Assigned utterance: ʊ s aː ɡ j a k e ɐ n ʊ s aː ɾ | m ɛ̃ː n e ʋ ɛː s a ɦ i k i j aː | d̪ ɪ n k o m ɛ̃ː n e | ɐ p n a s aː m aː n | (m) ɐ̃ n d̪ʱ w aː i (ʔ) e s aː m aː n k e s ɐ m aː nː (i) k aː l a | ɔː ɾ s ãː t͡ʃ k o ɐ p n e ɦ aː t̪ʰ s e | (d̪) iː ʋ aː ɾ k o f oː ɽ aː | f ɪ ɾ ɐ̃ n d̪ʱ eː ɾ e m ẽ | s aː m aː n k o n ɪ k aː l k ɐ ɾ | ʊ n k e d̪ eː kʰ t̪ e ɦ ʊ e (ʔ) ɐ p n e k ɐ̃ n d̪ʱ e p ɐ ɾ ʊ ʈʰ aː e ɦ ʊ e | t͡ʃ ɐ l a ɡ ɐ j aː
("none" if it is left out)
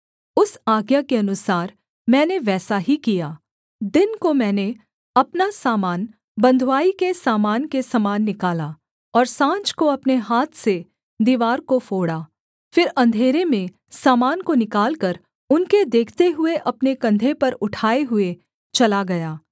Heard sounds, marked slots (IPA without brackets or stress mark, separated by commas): b, k, ɪ, d̪, ʔ